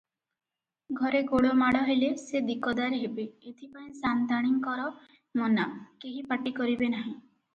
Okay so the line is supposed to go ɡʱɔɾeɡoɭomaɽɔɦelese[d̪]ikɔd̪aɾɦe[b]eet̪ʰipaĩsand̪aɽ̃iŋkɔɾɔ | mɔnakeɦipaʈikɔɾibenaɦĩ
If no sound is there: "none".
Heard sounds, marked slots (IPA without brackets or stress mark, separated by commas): d̪, b